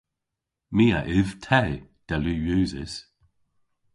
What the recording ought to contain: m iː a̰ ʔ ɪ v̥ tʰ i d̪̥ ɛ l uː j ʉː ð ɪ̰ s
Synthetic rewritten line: m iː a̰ ʔ ɪ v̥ tʰ ɛ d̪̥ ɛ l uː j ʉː z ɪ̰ s